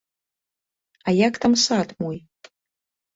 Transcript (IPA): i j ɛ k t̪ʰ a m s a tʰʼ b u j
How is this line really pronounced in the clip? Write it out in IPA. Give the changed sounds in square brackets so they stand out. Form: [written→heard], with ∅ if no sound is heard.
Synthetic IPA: [i→a] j [ɛ→a] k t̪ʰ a m s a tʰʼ [b→m] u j